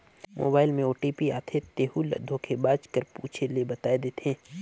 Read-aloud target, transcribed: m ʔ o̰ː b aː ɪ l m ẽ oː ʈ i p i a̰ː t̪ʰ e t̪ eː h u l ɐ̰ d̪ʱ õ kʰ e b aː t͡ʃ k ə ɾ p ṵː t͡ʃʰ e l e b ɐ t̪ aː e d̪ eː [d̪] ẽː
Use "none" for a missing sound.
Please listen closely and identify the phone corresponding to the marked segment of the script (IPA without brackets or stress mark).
t̪